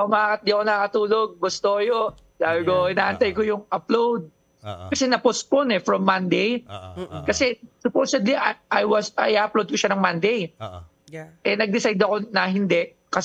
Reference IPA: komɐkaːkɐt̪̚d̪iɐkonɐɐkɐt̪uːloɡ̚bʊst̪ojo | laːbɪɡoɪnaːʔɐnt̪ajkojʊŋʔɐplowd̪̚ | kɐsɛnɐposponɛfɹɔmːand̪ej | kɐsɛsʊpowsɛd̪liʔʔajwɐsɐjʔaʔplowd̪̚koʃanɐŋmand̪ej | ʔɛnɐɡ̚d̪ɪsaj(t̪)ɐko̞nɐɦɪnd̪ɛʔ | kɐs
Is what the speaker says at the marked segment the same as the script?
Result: no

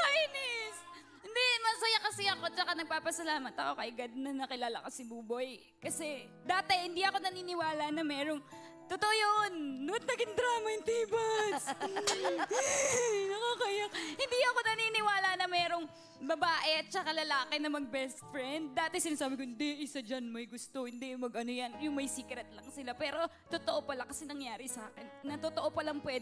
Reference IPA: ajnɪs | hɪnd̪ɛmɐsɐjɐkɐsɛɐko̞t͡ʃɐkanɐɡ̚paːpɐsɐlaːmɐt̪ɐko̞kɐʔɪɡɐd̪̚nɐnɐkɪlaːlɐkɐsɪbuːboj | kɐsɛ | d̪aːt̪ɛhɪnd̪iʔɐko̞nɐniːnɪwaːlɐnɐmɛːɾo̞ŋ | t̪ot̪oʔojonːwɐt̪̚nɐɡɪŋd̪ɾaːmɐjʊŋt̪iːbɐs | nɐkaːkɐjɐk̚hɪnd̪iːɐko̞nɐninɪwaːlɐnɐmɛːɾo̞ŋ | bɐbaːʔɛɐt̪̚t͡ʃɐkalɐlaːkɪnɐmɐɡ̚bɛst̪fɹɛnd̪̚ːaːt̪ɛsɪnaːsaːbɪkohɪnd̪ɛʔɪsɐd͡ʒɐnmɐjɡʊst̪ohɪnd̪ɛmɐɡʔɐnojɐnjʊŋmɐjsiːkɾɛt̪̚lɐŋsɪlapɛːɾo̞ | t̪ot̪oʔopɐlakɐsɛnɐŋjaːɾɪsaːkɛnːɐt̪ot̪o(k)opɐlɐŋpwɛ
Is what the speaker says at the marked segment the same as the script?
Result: no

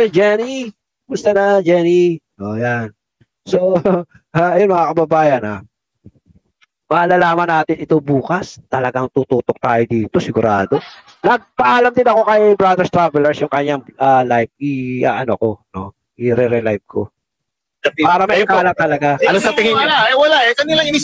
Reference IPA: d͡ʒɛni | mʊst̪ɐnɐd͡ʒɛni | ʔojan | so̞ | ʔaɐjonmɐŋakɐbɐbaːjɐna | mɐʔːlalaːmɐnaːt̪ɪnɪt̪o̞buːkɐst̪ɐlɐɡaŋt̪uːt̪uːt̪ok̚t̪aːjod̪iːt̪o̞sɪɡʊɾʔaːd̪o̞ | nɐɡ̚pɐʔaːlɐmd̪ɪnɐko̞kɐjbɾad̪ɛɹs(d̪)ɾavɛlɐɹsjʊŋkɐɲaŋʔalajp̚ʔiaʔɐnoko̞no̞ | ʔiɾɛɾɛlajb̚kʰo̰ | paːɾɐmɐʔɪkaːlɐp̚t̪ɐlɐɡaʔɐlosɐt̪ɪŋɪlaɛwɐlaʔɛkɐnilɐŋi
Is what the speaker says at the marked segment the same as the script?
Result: no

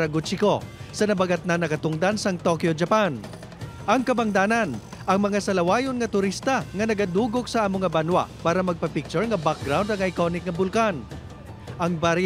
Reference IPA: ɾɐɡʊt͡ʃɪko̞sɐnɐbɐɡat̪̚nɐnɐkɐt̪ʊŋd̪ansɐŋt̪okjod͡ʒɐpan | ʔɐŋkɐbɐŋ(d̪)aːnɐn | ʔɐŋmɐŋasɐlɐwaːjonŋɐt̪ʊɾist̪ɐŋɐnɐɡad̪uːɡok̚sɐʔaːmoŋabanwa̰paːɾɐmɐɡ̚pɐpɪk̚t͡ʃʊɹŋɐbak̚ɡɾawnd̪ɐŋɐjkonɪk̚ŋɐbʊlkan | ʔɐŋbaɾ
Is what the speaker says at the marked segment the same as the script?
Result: yes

